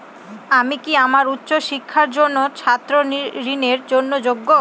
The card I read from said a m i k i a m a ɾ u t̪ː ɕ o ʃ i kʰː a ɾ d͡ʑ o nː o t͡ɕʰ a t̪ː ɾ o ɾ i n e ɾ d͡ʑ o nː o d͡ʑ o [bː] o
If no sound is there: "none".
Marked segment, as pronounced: ɡː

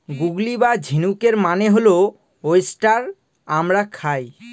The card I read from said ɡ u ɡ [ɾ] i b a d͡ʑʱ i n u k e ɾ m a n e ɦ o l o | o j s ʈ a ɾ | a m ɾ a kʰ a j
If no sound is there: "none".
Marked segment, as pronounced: l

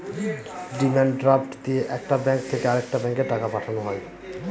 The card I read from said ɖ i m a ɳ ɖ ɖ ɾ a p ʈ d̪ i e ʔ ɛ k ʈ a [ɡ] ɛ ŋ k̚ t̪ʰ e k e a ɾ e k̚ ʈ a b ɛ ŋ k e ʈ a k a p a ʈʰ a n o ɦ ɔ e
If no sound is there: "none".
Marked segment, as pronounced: b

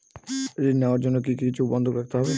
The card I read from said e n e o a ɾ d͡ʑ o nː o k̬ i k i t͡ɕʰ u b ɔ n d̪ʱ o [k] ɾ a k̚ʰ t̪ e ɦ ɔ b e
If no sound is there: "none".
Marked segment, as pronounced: k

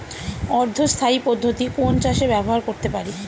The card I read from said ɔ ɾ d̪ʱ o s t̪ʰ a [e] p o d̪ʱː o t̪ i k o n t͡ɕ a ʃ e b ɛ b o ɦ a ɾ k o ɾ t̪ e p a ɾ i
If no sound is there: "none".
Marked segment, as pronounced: i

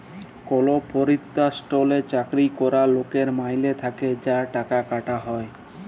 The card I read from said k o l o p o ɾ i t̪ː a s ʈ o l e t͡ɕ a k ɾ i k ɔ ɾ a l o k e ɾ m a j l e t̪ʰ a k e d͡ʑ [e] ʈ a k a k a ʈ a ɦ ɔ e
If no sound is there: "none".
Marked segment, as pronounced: a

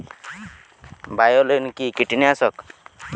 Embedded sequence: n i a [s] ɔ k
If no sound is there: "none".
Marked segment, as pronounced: s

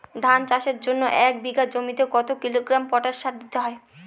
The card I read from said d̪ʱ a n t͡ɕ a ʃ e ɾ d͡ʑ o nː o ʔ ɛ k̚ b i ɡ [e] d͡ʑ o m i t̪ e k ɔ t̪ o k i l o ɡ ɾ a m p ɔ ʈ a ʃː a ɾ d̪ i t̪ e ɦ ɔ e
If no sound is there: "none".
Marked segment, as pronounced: a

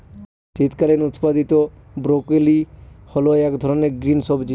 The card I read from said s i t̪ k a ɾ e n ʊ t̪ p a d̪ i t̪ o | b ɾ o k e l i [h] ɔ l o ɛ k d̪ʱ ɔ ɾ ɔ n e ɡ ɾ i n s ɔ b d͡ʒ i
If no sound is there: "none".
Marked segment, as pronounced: h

